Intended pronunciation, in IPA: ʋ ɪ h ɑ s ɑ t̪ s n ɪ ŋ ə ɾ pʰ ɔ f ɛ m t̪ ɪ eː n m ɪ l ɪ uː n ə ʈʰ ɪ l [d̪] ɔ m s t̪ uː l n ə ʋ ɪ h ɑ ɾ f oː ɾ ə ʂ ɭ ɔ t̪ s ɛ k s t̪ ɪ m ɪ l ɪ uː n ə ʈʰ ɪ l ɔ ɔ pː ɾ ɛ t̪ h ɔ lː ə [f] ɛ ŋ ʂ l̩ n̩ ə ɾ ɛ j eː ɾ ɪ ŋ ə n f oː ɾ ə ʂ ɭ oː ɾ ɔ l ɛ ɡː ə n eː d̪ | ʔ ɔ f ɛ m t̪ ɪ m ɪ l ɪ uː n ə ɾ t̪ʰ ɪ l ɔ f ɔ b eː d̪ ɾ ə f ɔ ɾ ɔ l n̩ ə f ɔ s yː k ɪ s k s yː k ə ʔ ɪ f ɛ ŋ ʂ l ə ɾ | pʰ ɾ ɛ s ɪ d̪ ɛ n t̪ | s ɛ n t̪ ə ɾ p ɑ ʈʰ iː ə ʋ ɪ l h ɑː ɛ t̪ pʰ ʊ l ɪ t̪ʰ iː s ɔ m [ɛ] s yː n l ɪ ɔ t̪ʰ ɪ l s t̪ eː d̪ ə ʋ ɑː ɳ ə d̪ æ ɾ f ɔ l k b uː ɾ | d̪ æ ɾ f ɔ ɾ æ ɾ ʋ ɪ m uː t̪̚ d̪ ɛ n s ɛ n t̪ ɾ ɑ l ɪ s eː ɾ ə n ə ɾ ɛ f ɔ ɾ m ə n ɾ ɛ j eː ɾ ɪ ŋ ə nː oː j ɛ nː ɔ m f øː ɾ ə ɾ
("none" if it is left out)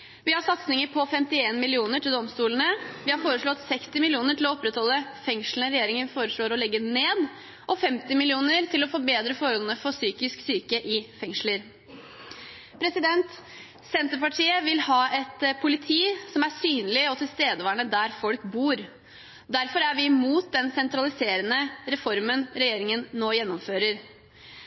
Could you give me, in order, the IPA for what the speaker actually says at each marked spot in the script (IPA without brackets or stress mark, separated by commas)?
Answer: d̪, f, æ